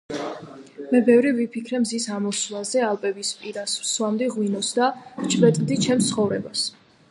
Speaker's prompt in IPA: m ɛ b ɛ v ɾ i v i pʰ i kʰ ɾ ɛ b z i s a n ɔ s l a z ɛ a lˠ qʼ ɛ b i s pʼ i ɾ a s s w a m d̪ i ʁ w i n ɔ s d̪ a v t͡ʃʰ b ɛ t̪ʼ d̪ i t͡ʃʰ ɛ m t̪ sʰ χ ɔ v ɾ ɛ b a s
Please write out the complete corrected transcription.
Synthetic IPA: m ɛ b ɛ v ɾ i v i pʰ i kʰ ɾ ɛ m z i s a m ɔ s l a z ɛ a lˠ pʼ ɛ b i s pʼ i ɾ a s s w a m d̪ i ʁ w i n ɔ s d̪ a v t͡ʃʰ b ɛ t̪ʼ d̪ i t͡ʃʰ ɛ m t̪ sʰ χ ɔ v ɾ ɛ b a s